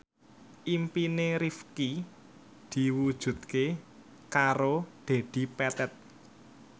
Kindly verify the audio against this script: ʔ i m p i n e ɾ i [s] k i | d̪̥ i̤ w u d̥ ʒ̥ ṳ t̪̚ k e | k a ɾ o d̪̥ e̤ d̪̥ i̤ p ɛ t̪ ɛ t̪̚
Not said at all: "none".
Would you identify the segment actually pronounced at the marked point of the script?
f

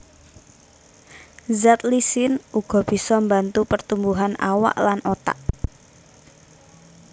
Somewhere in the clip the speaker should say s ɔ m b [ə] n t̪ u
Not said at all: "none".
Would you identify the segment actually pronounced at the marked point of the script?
a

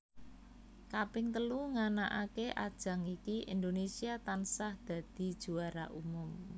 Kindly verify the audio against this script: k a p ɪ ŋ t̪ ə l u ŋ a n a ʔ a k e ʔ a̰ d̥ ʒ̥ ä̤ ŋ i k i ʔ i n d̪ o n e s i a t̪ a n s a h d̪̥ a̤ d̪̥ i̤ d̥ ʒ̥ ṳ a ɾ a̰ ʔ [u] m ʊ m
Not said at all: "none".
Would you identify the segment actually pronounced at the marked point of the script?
u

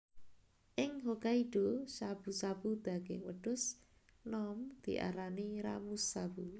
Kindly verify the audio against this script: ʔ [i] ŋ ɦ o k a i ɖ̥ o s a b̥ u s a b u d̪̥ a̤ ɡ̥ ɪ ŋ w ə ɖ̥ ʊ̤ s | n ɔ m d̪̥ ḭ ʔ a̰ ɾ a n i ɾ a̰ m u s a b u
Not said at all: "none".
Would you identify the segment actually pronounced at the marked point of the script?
ɪ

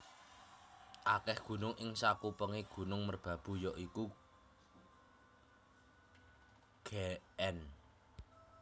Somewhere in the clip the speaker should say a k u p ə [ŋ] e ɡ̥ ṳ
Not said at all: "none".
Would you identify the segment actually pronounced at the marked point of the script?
ŋ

